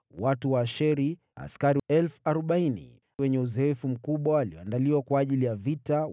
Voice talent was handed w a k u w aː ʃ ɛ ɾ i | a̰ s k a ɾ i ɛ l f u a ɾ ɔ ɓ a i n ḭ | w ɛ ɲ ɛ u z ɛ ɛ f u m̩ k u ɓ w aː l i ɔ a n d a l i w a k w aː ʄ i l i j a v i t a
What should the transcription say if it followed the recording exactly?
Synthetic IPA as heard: w a t u w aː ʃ ɛ ɾ i | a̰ s k a ɾ i ɛ l f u a ɾ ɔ ɓ a i n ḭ | w ɛ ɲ ɛ u z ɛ ɛ f u m̩ k u ɓ w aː l i ɔ a n d a l i w a k w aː ʄ i l i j a v i t a